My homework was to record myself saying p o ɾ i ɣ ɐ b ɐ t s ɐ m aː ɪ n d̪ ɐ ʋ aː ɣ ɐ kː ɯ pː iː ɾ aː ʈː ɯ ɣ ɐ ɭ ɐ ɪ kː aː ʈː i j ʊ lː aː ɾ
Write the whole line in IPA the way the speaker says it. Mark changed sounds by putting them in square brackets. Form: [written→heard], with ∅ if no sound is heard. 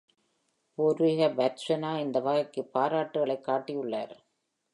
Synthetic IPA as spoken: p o ɾ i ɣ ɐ b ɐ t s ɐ [m→n] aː ɪ n d̪ ɐ ʋ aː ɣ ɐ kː ɯ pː [iː→aː] ɾ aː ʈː ɯ ɣ ɐ ɭ ɐ ɪ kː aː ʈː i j ʊ [lː→ɭː] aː ɾ